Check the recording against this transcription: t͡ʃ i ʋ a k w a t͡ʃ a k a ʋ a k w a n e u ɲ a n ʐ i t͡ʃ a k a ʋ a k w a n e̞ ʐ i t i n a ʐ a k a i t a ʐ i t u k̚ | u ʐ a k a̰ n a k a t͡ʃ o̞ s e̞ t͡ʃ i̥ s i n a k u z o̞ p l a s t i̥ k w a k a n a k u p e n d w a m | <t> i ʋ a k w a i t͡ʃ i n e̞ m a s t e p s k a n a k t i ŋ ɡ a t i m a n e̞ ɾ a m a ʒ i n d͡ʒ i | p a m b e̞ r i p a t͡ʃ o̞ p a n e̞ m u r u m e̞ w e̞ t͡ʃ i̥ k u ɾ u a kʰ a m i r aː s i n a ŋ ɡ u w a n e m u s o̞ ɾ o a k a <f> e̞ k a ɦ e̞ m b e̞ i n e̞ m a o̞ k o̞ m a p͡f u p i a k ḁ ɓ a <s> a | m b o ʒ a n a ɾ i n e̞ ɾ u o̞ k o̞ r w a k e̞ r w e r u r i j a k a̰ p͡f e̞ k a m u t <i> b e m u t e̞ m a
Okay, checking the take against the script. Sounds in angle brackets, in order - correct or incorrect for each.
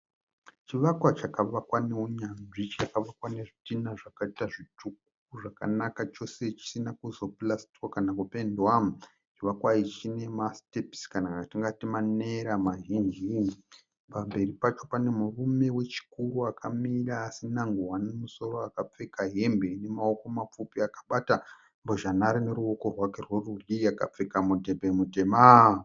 incorrect, incorrect, incorrect, incorrect

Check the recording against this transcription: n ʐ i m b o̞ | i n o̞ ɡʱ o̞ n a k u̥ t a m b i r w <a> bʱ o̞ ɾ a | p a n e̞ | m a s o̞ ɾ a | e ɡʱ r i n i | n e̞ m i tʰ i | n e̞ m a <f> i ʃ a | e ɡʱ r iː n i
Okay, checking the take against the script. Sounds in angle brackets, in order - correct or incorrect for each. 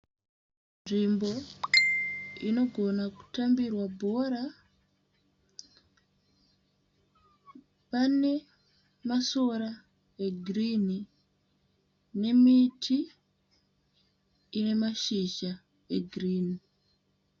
correct, incorrect

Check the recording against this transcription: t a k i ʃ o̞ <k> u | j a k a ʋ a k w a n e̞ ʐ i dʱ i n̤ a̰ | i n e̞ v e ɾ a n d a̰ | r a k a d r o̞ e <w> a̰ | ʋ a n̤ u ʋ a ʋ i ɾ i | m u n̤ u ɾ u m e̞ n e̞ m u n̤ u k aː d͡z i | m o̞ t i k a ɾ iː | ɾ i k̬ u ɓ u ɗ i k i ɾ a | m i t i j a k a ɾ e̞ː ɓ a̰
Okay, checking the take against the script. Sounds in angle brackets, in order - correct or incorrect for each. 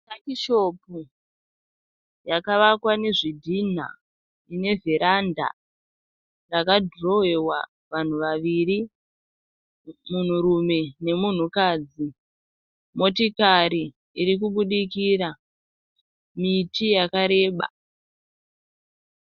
incorrect, correct

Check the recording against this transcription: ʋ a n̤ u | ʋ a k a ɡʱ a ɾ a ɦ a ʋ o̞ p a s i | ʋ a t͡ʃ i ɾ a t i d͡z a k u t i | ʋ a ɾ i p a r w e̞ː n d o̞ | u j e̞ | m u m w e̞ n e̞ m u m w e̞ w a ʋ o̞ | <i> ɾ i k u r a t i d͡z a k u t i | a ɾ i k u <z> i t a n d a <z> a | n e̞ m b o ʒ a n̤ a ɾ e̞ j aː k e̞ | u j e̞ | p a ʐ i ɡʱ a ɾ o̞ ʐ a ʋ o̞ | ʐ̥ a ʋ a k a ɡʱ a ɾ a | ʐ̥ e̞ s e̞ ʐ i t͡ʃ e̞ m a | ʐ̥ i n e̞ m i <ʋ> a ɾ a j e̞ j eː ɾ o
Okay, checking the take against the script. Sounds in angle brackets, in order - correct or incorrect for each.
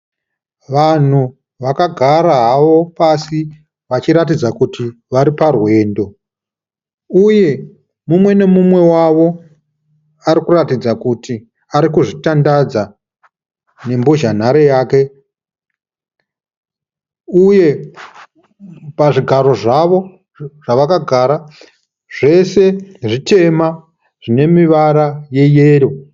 incorrect, incorrect, incorrect, correct

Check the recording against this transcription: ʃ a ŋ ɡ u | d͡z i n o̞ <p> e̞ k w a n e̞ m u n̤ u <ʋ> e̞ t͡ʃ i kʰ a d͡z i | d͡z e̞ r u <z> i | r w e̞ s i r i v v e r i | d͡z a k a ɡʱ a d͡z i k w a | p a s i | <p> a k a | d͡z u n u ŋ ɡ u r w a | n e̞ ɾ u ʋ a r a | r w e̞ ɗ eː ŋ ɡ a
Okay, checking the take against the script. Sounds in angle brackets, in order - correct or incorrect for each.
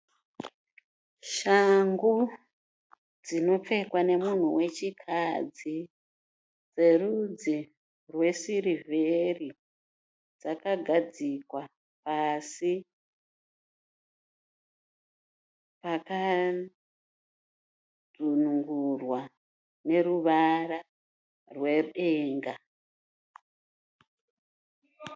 incorrect, incorrect, incorrect, correct

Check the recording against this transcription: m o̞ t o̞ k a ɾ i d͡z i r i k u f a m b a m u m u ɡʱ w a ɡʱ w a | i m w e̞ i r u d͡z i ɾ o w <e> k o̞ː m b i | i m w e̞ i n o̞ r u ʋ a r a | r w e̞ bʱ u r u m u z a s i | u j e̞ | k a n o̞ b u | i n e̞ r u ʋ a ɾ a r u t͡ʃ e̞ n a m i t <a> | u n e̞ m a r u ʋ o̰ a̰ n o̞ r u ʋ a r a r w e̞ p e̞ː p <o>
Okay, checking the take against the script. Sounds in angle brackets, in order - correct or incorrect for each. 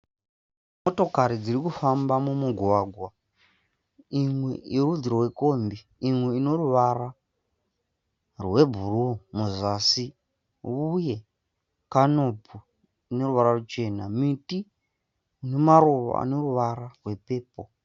correct, incorrect, correct

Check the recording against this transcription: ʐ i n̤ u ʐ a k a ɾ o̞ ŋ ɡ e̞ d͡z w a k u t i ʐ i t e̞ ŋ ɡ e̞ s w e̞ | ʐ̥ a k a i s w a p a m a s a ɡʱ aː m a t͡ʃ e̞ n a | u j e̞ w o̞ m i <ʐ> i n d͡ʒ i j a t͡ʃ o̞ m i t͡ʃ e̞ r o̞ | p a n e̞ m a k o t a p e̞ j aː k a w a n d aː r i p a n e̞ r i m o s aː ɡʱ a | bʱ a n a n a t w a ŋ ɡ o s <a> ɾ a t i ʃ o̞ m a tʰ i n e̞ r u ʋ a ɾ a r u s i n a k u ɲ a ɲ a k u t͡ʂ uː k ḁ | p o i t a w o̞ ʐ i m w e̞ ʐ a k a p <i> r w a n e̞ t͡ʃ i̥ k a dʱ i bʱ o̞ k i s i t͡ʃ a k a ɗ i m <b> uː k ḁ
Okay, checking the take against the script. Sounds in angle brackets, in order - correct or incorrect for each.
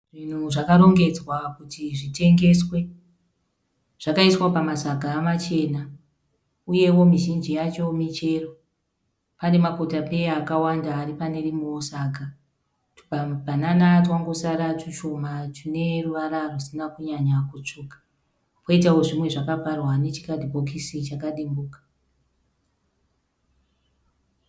incorrect, correct, incorrect, correct

